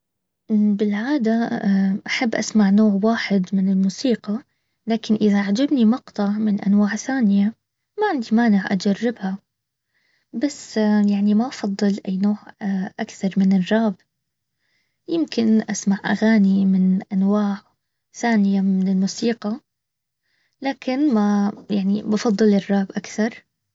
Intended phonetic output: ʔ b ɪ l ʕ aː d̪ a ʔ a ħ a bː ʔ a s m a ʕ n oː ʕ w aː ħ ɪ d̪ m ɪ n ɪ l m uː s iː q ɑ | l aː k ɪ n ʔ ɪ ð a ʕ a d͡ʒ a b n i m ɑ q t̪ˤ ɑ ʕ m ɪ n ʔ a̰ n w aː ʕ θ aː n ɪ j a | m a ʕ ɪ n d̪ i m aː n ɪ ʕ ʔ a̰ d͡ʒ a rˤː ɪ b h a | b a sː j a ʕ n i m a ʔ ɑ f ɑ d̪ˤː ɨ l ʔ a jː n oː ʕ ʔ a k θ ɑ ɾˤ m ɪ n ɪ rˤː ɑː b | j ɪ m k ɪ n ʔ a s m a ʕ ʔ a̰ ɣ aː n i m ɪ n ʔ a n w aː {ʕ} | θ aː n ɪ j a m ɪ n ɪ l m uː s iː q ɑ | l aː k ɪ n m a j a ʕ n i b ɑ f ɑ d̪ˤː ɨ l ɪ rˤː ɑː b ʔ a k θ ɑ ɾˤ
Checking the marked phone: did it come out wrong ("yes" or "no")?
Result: no